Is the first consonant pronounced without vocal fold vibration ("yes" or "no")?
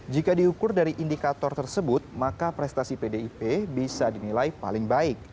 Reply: no